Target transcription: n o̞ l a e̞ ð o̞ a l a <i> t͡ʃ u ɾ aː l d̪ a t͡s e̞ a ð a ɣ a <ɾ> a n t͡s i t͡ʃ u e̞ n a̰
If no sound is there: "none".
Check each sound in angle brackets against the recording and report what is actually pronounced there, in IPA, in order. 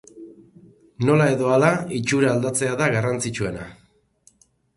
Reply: i, r

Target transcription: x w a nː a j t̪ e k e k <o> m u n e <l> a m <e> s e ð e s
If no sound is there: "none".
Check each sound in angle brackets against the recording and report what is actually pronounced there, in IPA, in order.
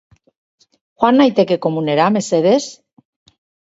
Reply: o, ɾ, e

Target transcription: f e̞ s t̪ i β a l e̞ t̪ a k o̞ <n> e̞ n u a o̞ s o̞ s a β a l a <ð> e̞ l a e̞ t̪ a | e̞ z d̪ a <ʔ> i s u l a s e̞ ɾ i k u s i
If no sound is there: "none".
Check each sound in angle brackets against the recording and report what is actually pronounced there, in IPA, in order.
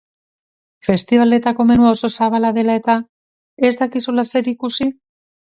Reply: m, ð, k

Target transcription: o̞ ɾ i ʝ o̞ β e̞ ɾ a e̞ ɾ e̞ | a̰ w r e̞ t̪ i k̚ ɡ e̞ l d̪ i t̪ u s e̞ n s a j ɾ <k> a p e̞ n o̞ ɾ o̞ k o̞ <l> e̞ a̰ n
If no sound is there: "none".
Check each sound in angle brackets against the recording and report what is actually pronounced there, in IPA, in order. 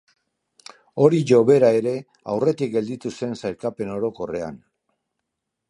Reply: k, r

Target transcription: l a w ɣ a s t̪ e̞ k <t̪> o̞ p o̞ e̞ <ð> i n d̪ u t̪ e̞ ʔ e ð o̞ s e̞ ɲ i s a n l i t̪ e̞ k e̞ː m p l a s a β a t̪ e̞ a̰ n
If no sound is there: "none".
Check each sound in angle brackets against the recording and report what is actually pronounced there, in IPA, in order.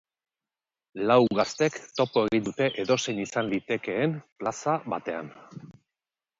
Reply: t̪, ɣ

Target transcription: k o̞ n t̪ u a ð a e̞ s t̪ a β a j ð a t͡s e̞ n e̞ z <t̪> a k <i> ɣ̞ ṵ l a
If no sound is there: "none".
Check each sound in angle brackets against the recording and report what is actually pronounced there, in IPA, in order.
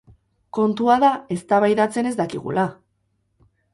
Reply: d̪, i

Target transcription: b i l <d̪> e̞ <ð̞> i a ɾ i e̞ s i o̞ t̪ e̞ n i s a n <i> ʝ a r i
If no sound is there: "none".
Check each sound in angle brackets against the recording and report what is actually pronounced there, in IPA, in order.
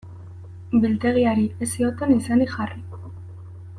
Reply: t̪, ɣ̞, i

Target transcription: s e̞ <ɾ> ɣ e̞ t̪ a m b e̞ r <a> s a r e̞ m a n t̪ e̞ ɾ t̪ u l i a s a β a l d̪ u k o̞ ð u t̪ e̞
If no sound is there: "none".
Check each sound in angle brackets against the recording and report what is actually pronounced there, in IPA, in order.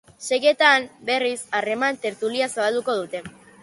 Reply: none, i

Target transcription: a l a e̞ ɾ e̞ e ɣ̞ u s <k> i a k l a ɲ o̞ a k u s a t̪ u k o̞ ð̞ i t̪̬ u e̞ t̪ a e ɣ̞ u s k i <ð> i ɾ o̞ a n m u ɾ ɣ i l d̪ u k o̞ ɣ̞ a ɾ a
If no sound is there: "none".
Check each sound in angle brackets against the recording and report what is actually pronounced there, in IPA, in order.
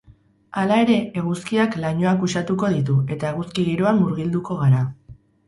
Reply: k, ɣ

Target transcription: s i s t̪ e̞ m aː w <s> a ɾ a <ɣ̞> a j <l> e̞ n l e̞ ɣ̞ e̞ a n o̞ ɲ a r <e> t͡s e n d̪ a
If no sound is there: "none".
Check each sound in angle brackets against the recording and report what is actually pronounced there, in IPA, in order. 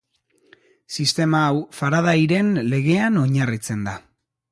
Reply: f, ð̞, ɾ, i

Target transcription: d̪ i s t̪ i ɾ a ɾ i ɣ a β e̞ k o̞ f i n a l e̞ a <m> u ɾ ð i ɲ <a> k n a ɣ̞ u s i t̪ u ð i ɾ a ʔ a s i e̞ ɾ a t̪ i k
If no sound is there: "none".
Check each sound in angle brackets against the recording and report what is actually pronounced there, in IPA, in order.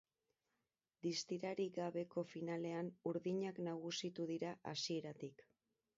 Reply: n, a

